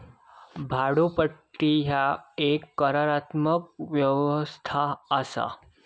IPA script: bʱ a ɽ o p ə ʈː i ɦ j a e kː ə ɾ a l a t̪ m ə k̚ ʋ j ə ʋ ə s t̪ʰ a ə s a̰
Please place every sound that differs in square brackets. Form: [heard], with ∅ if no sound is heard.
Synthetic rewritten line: bʱ a ɽ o p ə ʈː i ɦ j a e kː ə ɾ a [ɾ] a t̪ m ə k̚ ʋ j ə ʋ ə s t̪ʰ a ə s a̰